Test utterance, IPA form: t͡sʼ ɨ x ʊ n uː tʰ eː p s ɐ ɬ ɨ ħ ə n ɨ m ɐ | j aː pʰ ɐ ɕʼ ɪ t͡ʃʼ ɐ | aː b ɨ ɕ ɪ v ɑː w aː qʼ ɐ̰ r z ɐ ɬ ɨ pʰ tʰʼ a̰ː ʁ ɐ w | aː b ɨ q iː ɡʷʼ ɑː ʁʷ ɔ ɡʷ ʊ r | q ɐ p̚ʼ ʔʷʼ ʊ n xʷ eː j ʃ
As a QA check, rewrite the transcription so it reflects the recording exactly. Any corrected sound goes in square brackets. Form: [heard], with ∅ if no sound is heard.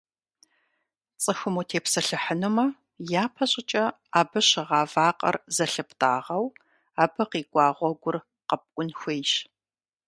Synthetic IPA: t͡sʼ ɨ x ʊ [m] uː tʰ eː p s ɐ ɬ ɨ ħ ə n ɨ m ɐ | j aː pʰ ɐ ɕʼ ɪ t͡ʃʼ ɐ | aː b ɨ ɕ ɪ [ʁ] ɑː [v] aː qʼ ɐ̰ r z ɐ ɬ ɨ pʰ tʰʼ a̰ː ʁ ɐ w | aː b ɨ q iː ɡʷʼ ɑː ʁʷ ɔ ɡʷ ʊ r | q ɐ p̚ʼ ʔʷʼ ʊ n xʷ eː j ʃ